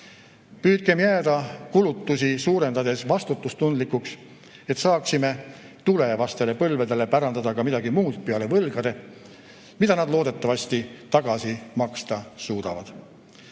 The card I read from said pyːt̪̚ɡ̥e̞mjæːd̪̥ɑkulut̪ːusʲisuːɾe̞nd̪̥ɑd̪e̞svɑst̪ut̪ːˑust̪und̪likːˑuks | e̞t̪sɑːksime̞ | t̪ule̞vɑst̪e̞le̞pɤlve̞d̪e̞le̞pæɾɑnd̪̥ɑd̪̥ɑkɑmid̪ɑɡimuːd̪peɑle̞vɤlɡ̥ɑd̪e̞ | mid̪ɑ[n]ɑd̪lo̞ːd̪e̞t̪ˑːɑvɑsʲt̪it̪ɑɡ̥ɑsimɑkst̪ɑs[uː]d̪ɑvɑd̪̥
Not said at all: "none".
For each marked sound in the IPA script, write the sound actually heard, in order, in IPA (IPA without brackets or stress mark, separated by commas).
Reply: n, uː